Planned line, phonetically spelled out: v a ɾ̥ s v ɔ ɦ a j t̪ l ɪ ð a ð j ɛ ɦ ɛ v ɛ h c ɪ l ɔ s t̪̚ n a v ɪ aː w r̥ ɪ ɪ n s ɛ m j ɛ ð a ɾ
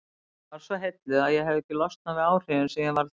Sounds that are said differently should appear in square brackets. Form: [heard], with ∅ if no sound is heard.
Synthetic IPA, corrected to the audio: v a ɾ̥ s v ɔ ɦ [e] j t̪ l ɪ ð a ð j ɛ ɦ ɛ v ɛ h c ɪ l ɔ s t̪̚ n a v ɪ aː w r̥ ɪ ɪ n s ɛ m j ɛ [v] a ɾ

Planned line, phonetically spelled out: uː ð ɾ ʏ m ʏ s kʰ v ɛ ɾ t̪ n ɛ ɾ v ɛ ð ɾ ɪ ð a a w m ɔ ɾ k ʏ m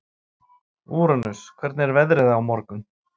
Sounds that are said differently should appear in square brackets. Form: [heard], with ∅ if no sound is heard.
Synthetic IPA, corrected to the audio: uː [∅] ɾ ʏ [n] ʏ s kʰ v ɛ ɾ t̪ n ɛ ɾ v ɛ ð ɾ ɪ ð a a w m ɔ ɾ k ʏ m

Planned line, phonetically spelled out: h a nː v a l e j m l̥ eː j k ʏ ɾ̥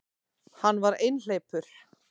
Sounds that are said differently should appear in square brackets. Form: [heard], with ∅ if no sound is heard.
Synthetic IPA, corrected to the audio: h a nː v a [ɾ] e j [n] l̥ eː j [p] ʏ ɾ̥

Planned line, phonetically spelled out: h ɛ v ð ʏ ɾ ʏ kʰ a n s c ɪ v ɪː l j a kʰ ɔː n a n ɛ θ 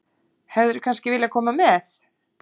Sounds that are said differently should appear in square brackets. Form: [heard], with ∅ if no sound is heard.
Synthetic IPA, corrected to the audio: h ɛ v ð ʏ ɾ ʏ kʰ a n s c ɪ v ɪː l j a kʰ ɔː [m] a [m] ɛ θ

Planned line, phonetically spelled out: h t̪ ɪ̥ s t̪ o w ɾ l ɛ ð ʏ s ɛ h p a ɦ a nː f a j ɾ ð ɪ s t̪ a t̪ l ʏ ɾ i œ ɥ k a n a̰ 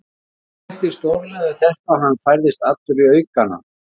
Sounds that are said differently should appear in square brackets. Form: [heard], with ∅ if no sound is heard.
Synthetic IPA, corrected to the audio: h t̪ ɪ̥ s t̪ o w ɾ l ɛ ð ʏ [θ] ɛ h p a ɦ a nː f a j ɾ ð ɪ s t̪ a t̪ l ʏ ɾ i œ ɥ k a n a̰

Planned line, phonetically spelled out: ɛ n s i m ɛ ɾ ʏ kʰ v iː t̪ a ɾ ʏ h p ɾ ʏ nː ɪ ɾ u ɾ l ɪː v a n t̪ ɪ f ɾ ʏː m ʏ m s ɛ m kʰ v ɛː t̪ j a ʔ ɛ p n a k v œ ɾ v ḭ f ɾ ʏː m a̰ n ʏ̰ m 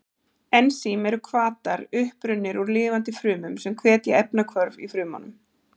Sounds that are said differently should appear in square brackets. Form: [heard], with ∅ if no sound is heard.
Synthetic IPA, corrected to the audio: ɛ n s i m ɛ ɾ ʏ kʰ v [aː] t̪ a ɾ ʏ h p ɾ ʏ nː ɪ ɾ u ɾ l ɪː v a n t̪ ɪ f ɾ ʏː m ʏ m s ɛ m kʰ v ɛː t̪ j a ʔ ɛ p n a [kʰ] v œ ɾ v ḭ f ɾ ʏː m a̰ n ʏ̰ m

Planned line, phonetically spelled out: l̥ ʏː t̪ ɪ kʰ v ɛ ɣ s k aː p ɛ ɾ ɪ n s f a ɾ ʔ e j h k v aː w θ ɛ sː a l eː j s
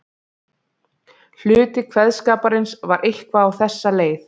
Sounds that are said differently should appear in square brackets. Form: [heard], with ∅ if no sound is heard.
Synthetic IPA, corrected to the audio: l̥ ʏː t̪ ɪ kʰ v ɛ [ð] s k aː p [a] ɾ ɪ n s [v] a ɾ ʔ e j h k v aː w θ ɛ sː a l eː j [θ]

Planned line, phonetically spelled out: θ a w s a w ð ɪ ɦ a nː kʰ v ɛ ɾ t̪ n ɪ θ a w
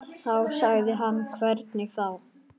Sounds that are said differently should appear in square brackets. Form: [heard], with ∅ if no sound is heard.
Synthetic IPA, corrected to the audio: θ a w s a [ɣ] ð ɪ ɦ a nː kʰ v ɛ ɾ t̪ n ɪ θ a w

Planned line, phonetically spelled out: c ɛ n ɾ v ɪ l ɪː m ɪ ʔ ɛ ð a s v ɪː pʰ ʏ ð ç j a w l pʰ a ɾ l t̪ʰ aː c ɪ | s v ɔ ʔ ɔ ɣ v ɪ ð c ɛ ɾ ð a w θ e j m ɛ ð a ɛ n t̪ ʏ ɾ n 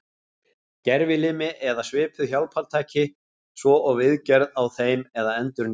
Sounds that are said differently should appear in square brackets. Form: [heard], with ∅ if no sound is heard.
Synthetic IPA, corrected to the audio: c ɛ [∅] ɾ v ɪ l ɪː m ɪ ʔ ɛ ð a s v ɪː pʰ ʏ ð ç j a w l pʰ a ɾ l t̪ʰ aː c ɪ | s v ɔ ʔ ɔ ɣ v ɪ ð c ɛ ɾ ð a w θ e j m ɛ ð a ɛ n t̪ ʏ ɾ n

